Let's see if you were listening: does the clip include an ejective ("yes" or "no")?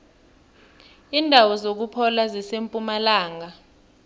yes